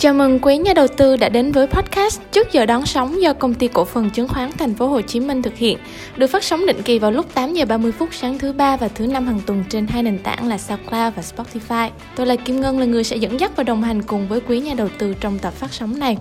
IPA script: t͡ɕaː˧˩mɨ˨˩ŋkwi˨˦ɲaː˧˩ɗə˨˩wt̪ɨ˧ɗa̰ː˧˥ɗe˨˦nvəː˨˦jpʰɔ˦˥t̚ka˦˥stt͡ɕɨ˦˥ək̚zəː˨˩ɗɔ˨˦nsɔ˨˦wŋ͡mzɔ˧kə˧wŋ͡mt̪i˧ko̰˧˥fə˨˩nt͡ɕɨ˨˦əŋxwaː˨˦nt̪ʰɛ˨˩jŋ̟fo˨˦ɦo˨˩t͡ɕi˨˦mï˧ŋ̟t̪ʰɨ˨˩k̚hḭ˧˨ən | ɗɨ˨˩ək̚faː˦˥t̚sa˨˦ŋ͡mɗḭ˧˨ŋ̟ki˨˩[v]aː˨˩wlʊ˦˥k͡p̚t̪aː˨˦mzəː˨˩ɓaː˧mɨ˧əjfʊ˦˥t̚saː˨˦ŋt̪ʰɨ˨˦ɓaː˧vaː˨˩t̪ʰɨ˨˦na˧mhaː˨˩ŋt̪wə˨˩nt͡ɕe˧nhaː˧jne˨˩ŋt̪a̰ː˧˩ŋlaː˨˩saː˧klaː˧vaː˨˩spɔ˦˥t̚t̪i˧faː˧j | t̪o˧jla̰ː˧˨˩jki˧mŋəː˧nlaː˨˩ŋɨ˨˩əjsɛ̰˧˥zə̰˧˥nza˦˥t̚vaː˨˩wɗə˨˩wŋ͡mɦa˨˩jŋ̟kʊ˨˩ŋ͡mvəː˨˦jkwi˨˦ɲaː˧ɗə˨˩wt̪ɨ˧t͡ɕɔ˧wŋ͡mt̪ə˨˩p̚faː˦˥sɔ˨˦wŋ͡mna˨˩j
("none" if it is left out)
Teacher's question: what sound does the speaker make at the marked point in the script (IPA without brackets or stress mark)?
v